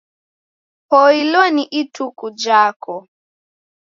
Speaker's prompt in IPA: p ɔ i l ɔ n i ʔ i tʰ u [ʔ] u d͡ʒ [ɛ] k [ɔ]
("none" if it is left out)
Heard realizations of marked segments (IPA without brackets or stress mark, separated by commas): k, a, ɔ